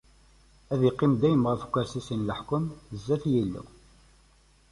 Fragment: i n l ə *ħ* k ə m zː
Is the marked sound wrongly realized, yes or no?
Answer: no